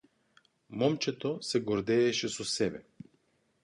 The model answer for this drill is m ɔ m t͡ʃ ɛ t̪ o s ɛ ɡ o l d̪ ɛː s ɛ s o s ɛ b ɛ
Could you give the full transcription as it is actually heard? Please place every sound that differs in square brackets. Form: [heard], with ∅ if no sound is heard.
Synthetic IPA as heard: m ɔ m t͡ʃ ɛ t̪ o s ɛ ɡ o [ɾ] d̪ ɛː [ʃ] ɛ s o s ɛ b ɛ